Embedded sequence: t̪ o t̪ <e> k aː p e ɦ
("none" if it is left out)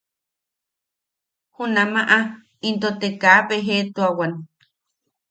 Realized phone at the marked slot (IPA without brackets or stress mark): e